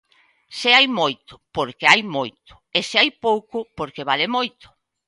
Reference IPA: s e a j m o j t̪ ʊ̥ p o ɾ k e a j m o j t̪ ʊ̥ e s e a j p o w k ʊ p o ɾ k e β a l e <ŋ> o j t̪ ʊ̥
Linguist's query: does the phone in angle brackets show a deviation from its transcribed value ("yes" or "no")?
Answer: yes